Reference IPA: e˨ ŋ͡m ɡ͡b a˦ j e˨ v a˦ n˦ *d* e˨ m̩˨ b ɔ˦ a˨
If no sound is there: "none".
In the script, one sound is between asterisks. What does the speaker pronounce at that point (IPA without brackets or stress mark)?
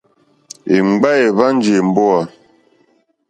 d͡ʒ